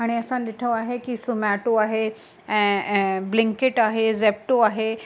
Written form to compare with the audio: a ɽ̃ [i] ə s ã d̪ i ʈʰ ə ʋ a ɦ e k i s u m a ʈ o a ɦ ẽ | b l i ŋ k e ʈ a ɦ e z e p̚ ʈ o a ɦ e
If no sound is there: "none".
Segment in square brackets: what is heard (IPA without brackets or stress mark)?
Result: i